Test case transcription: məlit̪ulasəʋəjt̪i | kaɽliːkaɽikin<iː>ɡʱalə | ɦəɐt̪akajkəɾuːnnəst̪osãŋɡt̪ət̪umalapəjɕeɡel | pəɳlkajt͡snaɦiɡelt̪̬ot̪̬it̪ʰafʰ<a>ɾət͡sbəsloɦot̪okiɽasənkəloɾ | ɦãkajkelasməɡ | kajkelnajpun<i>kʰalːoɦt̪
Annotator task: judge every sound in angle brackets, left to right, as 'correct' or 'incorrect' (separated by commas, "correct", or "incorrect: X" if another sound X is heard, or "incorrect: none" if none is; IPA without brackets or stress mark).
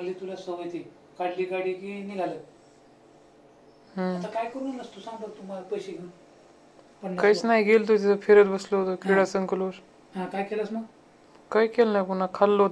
incorrect: i, incorrect: e, incorrect: a